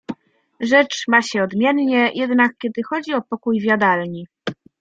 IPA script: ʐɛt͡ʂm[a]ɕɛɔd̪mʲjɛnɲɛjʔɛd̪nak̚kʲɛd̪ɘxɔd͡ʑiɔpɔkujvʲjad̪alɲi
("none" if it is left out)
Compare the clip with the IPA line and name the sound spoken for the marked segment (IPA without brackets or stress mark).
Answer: a